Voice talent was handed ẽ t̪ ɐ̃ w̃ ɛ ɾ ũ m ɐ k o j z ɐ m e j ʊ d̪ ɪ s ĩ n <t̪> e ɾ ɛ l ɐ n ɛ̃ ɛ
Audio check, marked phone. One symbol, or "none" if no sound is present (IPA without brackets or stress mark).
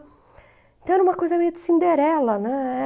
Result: d̪